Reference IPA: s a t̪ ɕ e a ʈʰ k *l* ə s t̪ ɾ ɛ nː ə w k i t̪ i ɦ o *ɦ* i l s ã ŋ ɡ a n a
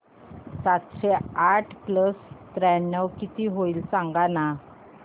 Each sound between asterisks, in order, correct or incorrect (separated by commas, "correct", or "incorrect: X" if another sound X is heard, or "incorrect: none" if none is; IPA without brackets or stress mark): correct, incorrect: none